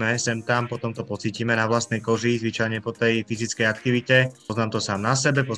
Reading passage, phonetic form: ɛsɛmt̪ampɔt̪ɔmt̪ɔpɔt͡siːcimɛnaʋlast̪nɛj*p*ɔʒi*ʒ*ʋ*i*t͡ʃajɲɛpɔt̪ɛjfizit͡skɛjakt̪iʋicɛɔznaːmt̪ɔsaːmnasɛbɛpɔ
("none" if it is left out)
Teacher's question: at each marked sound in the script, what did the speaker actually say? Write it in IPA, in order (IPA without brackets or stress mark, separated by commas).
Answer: k, z, i